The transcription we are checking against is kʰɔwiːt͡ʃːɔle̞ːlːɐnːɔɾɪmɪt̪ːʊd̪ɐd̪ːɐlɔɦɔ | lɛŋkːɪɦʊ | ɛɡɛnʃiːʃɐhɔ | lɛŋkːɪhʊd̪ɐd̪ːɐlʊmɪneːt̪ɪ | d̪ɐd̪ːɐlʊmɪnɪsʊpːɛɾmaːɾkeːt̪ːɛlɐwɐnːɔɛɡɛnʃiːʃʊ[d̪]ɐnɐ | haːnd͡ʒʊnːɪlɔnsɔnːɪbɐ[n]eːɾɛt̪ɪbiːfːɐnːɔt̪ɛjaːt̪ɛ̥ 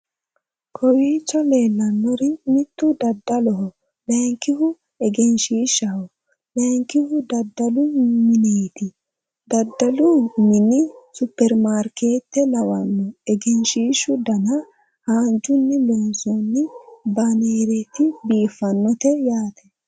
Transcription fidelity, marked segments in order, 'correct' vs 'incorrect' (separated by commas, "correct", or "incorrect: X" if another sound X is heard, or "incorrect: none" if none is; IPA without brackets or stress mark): correct, correct